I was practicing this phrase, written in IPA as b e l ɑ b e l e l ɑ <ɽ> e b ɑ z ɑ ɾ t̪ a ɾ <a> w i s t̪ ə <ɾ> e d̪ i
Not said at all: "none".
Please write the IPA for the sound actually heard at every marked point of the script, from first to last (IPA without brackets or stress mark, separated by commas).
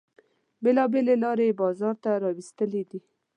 ɾ, ɑ, l